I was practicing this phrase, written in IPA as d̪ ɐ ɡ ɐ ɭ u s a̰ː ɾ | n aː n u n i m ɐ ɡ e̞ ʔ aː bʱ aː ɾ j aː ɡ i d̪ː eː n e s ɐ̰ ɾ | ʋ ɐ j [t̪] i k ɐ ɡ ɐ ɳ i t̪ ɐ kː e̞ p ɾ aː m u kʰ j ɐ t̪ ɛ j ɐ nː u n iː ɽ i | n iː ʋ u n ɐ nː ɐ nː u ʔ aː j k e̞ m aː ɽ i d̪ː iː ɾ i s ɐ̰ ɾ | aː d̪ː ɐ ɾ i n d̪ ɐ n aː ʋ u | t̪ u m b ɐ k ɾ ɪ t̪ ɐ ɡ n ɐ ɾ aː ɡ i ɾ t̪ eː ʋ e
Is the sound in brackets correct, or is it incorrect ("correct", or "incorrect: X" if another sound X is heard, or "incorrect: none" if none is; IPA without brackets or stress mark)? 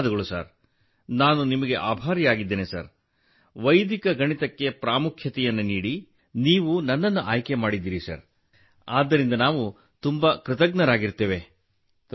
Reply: incorrect: d̪